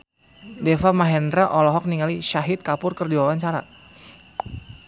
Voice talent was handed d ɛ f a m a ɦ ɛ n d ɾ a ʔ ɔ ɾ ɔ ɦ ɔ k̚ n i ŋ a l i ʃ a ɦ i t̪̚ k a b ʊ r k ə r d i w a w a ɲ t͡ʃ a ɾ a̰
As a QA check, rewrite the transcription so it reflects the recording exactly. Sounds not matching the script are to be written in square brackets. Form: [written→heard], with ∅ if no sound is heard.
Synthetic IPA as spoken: d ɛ f a m a ɦ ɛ n d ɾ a ʔ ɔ [ɾ→l] ɔ ɦ ɔ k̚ n i ŋ a l i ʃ a ɦ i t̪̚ k a [b→p] ʊ r k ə r d i w a w a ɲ t͡ʃ a ɾ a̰